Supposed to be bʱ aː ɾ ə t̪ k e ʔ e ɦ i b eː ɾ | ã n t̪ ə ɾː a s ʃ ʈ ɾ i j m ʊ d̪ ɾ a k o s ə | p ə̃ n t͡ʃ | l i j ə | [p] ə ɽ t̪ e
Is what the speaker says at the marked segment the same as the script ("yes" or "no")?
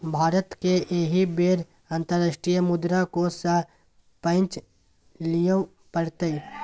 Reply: yes